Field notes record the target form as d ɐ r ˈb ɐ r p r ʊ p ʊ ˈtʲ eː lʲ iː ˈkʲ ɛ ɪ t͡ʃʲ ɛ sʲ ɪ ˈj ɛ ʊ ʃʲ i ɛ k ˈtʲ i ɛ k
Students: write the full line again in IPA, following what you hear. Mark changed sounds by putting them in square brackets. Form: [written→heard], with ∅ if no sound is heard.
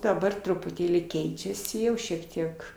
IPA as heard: d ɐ [r→∅] ˈb ɐ r [p→t] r ʊ p ʊ ˈtʲ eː lʲ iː ˈkʲ ɛ ɪ t͡ʃʲ ɛ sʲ ɪ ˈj ɛ ʊ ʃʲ i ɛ k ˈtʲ i ɛ k